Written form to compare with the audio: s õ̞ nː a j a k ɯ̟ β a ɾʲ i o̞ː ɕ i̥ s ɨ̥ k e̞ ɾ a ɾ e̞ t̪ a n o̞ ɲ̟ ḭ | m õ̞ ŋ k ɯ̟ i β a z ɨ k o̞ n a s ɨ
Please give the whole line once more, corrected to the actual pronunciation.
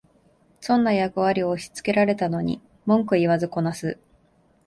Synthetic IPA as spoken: s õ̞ nː a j a k ɯ̟ β a ɾʲ i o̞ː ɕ i̥ t͡s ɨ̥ k e̞ ɾ a ɾ e̞ t̪ a n o̞ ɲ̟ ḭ | m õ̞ ŋ k ɯ̟ i β a z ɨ k o̞ n a s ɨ